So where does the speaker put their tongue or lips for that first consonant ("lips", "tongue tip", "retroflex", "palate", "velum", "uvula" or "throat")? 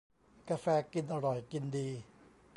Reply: velum